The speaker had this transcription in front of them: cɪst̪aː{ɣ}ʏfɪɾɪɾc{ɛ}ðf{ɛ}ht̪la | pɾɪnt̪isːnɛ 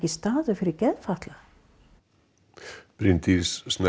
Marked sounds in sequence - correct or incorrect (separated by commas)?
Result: incorrect, correct, incorrect